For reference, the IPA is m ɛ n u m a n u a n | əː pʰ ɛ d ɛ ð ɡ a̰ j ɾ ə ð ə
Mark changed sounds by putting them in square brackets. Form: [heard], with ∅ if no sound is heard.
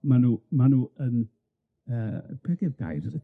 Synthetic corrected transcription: m [a] n u m a n u [ə] n | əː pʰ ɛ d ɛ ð ɡ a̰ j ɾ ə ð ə

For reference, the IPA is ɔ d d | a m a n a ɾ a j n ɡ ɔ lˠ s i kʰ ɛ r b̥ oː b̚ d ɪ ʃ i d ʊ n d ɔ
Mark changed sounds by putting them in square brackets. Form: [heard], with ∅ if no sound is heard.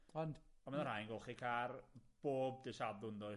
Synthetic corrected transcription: ɔ [n] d | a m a n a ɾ a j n ɡ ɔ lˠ [χ] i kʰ [a] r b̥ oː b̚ d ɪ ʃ [a] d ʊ n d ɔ

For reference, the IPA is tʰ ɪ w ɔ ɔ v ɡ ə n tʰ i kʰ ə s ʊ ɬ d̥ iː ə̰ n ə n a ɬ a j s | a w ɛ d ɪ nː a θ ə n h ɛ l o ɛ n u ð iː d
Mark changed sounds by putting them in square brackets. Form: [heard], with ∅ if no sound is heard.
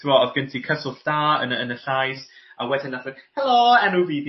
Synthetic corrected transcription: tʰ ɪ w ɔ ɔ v ɡ ə n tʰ i kʰ ə s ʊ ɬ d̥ [aː] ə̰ n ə n [ə] ɬ a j s | a w ɛ d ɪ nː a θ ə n h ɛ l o ɛ n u [v] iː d

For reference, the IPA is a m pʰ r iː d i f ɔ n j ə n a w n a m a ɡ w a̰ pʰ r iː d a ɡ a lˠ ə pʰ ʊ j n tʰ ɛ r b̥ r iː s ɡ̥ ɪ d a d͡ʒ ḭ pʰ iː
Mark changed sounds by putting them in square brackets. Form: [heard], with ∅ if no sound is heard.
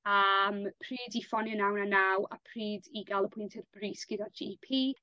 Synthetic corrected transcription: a m pʰ r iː d i f ɔ n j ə n a w n a [n] a [∅] w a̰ pʰ r iː d [i] ɡ a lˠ ə pʰ ʊ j n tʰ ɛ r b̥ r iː s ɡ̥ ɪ d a d͡ʒ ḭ pʰ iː

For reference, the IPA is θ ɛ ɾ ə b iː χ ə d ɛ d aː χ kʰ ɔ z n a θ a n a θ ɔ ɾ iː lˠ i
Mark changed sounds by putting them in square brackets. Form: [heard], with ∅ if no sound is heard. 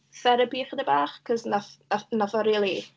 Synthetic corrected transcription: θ ɛ ɾ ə b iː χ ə d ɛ [b] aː χ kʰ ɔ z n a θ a n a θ ɔ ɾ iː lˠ i

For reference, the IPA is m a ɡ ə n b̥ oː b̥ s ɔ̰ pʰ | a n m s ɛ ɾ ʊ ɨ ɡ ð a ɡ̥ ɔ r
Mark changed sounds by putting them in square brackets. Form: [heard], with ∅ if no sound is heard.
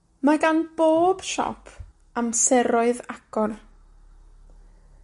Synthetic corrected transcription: m a ɡ [a] n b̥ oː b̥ [ʃ] ɔ̰ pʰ | a [∅] m s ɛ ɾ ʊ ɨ [∅] ð a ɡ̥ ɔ r

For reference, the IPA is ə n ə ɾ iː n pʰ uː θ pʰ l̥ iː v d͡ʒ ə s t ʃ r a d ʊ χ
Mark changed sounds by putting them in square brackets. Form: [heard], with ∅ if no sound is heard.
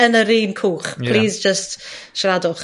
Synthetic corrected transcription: ə n ə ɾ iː n [kʰ] uː [χ] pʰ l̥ iː [z] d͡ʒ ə s t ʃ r a d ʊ χ

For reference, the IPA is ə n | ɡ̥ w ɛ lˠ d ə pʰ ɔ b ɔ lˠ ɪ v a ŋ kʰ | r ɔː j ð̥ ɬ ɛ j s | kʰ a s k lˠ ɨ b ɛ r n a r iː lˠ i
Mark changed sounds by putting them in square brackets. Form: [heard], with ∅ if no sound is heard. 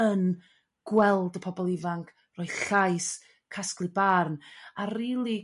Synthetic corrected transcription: ə n | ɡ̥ w ɛ lˠ d ə pʰ ɔ b ɔ lˠ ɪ v a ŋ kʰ | r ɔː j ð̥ ɬ [a] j s | kʰ a s k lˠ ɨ b [a] r n a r iː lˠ i

